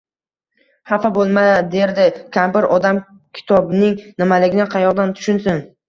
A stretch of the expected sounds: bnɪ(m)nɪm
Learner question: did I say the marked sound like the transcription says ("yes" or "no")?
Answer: no